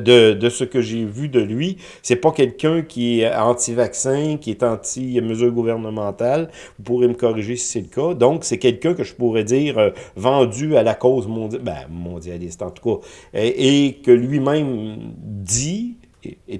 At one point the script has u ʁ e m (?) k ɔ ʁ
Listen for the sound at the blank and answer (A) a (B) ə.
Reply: B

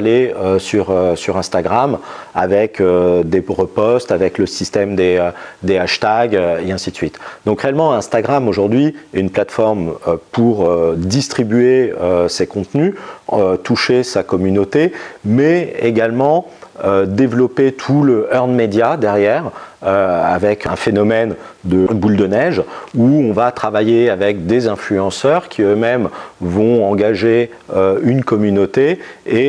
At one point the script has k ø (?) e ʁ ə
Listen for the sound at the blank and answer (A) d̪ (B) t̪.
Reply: A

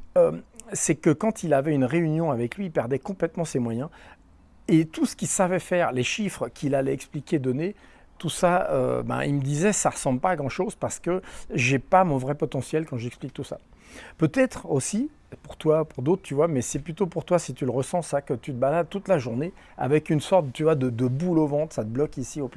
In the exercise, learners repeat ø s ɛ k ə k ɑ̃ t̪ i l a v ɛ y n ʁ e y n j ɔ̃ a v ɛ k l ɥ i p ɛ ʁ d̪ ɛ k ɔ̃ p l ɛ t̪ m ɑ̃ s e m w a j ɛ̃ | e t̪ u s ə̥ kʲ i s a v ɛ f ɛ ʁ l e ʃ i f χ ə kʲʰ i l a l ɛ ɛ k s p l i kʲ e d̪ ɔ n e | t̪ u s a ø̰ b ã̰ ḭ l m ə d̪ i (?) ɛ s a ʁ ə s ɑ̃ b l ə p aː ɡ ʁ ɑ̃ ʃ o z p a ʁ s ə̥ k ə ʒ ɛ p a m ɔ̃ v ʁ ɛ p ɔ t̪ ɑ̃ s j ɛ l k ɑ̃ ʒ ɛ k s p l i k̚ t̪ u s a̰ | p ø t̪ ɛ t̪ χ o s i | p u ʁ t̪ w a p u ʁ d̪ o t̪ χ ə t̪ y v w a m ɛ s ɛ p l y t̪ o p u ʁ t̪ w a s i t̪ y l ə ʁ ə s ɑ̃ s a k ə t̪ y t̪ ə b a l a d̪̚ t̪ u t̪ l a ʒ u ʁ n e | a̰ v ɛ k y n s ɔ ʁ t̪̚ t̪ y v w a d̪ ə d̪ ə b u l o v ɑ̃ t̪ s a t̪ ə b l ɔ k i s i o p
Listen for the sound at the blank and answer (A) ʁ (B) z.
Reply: B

